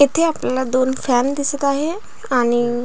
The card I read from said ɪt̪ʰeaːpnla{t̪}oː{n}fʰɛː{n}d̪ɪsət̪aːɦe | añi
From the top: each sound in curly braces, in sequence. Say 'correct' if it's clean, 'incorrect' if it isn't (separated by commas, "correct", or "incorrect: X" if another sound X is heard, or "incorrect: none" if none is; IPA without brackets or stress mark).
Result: incorrect: d̪, correct, correct